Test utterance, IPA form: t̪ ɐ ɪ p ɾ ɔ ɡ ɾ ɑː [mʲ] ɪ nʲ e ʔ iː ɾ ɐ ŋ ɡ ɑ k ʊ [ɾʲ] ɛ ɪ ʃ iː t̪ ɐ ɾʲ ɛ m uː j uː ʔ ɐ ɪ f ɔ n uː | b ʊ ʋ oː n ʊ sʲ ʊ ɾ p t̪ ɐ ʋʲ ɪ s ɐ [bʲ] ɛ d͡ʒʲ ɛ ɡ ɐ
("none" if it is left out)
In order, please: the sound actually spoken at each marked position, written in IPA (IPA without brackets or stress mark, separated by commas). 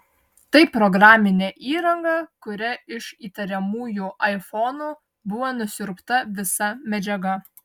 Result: mʲ, ɾʲ, mʲ